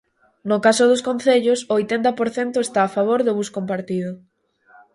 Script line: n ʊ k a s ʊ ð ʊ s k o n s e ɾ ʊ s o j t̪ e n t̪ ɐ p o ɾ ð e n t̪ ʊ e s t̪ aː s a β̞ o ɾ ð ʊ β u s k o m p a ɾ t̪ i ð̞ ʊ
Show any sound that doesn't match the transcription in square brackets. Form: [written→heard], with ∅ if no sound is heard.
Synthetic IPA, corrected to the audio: n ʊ k a s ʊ ð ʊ s k o n [s→θ] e [ɾ→ʎ] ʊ s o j t̪ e n t̪ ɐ p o ɾ [ð→θ] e n t̪ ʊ e s t̪ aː [s→f] a β̞ o ɾ ð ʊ β u s k o m p a ɾ t̪ i ð̞ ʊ